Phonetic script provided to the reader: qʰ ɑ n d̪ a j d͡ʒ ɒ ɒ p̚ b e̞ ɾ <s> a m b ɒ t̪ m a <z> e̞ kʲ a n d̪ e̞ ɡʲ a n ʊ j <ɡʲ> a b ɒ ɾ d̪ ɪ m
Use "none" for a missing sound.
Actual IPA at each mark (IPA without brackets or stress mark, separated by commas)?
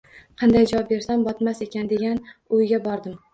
s, s, ɡʲ